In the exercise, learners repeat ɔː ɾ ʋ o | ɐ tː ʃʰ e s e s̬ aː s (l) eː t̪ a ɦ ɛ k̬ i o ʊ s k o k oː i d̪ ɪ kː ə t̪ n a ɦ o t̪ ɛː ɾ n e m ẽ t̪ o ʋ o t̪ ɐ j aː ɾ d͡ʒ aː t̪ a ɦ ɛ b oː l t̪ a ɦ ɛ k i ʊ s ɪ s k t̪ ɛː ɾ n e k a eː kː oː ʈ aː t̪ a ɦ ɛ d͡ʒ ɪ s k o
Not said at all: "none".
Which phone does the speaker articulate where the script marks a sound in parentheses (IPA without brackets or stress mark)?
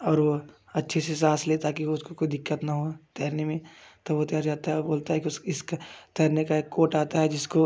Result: l